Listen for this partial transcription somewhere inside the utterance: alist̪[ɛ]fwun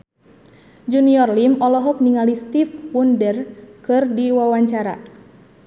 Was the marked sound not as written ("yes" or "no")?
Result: yes